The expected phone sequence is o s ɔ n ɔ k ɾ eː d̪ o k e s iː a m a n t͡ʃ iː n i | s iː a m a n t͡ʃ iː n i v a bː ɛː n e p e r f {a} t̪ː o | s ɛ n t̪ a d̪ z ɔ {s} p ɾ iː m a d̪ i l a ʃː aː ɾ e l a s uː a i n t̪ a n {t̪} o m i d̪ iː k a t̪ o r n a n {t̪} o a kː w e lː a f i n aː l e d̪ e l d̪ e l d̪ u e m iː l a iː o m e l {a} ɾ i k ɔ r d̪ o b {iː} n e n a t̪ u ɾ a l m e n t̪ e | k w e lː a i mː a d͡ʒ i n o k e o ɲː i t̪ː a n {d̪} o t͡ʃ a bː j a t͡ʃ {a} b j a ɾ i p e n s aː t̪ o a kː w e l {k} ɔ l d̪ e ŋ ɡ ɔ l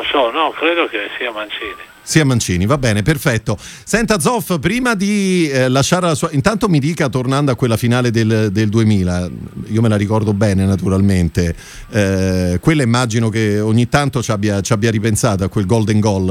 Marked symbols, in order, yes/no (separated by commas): no, no, yes, no, yes, no, no, yes, no